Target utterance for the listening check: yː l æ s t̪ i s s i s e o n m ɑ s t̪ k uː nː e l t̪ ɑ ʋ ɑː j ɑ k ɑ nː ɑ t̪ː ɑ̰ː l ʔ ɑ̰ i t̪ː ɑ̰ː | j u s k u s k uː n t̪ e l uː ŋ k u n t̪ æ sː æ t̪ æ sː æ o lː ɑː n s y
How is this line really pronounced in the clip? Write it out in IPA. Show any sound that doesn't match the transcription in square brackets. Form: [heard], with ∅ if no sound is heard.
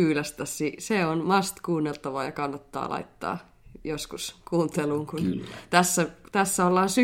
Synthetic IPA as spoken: yː l æ s t̪ [æ] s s i s e o n m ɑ s t̪ k uː nː e l t̪ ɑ ʋ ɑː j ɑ k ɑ nː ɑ t̪ː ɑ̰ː l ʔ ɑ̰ i t̪ː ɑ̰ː | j [o] s k u s k uː n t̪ e l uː ŋ k u n t̪ æ sː æ t̪ æ sː æ o lː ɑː n s y